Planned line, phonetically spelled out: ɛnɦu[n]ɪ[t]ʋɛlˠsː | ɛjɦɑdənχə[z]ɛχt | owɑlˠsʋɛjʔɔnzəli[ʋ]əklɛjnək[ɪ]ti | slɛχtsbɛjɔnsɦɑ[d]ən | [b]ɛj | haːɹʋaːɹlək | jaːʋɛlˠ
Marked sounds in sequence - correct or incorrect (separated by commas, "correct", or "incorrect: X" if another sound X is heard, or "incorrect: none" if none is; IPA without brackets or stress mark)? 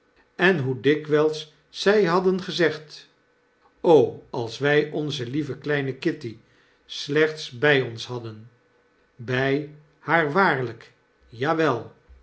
incorrect: d, incorrect: k, correct, incorrect: v, correct, correct, correct